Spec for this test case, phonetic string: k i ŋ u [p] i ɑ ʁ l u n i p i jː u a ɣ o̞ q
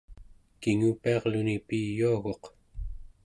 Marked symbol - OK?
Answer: yes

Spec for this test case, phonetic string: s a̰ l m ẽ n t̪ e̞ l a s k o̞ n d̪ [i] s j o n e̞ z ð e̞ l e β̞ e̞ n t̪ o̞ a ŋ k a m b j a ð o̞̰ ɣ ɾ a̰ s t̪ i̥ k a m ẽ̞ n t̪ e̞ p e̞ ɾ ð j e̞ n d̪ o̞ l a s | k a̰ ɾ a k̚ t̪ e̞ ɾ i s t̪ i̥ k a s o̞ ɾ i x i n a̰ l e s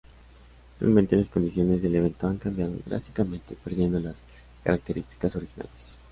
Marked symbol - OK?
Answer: yes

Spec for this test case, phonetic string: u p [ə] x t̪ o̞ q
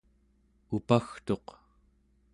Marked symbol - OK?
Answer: no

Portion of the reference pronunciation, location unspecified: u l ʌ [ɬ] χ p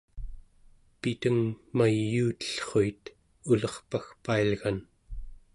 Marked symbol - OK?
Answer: no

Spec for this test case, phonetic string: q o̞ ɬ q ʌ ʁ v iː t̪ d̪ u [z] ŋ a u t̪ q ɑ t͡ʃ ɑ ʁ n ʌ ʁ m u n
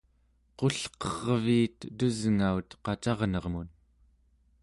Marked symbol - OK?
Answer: yes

